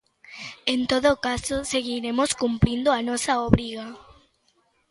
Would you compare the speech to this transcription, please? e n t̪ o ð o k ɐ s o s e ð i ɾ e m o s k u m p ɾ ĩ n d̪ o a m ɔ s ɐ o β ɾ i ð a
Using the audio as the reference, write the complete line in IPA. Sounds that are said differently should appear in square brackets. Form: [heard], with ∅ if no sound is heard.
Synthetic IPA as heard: e n t̪ o ð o k [a] s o s e [ɣ] i ɾ e m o s k u m p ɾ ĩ n d̪ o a [n] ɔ s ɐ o β ɾ i [ɣ] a